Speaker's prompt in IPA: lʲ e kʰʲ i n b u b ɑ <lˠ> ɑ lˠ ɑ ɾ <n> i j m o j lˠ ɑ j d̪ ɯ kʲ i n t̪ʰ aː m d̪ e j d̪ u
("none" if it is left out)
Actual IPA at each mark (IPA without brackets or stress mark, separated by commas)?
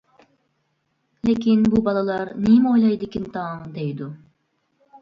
lˠ, n